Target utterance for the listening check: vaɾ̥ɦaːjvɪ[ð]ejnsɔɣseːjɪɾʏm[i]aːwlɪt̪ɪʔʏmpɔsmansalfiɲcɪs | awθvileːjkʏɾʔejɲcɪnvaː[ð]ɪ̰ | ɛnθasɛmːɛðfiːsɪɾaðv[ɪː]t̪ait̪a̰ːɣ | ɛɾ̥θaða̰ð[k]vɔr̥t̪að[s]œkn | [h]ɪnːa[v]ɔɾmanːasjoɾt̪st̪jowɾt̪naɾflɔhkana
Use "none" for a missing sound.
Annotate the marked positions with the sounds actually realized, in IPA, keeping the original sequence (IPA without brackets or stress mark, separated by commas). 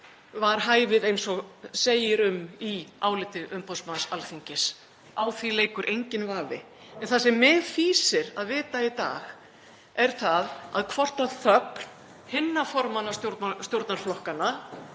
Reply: ð, i, v, ɪː, kʰ, θ, h, f